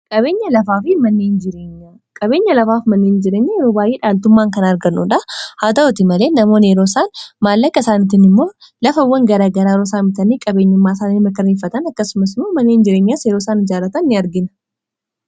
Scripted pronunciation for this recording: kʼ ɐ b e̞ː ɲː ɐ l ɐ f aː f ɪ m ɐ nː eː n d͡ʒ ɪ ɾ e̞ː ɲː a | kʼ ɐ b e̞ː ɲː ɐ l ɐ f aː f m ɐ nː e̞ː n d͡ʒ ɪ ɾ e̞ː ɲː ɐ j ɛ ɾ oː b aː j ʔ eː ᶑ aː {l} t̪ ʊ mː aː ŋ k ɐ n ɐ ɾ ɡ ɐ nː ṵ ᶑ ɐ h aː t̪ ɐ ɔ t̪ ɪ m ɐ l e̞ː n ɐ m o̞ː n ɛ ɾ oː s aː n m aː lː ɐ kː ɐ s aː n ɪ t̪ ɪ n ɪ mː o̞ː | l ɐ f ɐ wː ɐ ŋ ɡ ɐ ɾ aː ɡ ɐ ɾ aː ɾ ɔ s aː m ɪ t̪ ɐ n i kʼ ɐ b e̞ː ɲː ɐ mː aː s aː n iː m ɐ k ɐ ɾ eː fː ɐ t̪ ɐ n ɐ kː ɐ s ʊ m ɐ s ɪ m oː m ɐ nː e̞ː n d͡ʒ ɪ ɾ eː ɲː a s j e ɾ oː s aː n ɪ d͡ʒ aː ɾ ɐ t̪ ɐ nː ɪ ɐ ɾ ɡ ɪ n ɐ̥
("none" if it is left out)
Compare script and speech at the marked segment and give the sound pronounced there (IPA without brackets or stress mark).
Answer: l